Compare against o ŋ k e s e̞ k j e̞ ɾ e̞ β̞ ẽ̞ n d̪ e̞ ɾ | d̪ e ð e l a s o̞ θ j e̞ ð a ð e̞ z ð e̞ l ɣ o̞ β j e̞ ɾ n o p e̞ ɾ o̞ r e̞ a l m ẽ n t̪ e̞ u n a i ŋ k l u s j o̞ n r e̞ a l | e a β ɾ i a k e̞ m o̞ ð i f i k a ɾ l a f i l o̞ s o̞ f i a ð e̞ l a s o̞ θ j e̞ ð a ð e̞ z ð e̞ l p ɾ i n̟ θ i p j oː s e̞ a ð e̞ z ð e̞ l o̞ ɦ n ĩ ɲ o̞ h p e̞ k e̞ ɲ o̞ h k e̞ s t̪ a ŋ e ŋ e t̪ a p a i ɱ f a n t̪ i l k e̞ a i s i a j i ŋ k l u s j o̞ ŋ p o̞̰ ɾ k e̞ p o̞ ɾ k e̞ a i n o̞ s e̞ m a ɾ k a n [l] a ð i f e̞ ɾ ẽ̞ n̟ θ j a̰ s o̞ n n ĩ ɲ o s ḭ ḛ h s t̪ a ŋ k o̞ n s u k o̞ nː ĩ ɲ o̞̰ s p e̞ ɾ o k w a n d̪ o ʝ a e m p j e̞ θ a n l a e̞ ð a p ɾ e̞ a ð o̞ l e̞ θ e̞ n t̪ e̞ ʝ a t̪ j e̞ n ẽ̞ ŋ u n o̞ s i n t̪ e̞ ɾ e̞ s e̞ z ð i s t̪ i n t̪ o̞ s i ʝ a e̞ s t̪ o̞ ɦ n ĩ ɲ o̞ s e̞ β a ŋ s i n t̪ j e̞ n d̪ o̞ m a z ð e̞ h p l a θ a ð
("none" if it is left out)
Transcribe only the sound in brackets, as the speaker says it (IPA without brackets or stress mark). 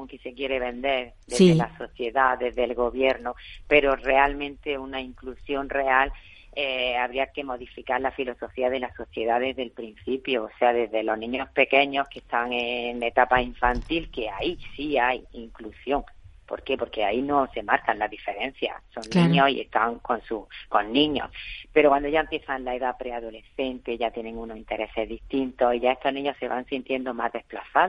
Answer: l